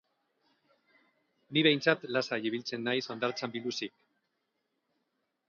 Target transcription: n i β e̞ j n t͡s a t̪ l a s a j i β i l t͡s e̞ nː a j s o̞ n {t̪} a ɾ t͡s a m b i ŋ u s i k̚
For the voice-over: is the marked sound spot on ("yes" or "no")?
no